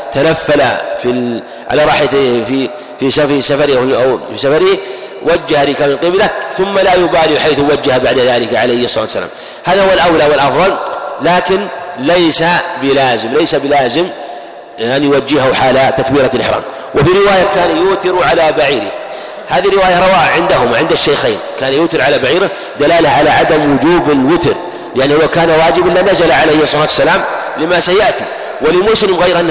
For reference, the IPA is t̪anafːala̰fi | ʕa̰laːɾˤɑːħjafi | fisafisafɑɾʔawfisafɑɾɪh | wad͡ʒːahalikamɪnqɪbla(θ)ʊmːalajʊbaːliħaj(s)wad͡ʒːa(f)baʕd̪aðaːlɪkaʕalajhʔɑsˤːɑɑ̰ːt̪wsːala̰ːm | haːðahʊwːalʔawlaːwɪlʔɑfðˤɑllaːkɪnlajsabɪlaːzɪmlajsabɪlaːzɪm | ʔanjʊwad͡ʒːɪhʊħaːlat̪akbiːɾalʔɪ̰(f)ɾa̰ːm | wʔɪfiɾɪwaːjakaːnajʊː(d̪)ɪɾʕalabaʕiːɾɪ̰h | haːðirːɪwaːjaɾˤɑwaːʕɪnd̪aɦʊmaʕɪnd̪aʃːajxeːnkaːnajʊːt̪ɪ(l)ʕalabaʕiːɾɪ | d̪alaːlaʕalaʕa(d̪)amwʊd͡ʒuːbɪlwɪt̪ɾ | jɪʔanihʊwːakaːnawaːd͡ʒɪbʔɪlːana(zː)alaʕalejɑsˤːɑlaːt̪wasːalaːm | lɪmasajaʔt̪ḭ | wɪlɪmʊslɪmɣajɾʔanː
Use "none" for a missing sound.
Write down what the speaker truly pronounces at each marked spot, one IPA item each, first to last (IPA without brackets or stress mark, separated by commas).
θ, θ, h, ħ, t̪, ɾ, d̪, z